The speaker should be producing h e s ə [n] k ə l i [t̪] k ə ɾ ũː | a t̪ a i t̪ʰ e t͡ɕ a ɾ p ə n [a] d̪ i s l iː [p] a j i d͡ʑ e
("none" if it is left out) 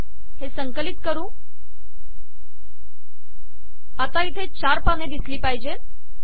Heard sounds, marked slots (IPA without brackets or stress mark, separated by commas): ŋ, t̪, e, p